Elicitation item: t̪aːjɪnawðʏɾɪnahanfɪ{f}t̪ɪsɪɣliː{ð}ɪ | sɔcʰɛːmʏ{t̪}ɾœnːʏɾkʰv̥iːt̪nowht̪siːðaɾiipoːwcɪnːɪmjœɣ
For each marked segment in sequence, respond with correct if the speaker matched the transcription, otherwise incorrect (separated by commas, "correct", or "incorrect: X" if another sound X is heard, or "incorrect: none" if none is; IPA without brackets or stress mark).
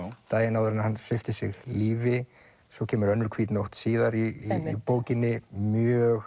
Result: correct, incorrect: v, incorrect: none